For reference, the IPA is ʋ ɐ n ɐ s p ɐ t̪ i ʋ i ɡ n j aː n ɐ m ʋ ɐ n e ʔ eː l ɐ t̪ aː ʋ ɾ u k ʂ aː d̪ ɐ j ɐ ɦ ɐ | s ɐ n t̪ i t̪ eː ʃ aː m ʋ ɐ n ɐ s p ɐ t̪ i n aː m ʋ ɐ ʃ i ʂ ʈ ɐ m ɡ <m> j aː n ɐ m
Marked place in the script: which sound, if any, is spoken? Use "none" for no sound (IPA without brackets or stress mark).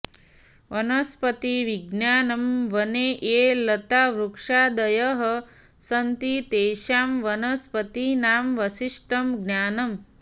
n